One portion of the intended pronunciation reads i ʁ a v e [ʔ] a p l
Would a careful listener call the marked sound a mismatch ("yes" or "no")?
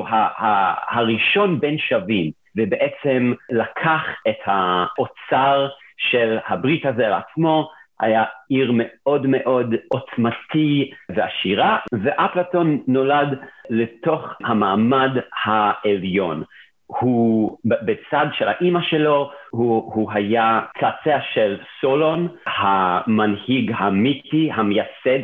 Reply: no